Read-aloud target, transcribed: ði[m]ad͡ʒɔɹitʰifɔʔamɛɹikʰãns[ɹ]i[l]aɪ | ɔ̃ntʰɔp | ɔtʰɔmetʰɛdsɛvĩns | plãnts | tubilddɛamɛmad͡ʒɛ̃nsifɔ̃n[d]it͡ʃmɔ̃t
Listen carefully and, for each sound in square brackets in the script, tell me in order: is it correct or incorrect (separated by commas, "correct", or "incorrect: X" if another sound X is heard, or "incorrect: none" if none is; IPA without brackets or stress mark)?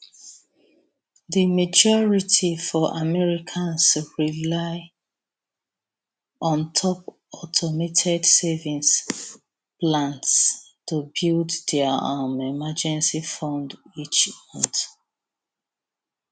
correct, correct, correct, correct